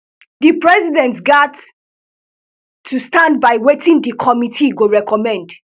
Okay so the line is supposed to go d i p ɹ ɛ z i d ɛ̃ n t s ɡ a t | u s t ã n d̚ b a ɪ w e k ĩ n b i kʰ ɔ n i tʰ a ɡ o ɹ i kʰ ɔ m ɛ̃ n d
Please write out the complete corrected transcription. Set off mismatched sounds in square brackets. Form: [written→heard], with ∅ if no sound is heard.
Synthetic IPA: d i p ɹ ɛ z i d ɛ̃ n t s ɡ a t | u s t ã n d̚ b a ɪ w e [k→t] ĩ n [b→d] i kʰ ɔ [n→m] i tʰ [a→i] ɡ o ɹ [i→ɛ] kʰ ɔ m ɛ̃ n d